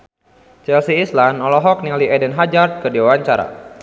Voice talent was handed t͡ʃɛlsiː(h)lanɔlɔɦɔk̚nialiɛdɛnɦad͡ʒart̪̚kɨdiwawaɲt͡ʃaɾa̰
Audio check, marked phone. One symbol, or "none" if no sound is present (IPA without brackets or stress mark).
s